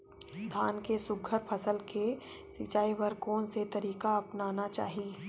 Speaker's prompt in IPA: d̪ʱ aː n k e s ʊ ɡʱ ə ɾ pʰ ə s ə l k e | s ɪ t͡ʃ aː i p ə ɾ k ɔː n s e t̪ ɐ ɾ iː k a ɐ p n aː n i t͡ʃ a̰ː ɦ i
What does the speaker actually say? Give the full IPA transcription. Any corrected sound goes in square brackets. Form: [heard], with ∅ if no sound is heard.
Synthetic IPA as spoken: d̪ʱ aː n k e s ʊ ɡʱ ə ɾ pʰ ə s ə l k e | s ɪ t͡ʃ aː i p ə ɾ k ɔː n s e t̪ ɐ ɾ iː k a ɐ p n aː n [a] t͡ʃ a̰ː ɦ i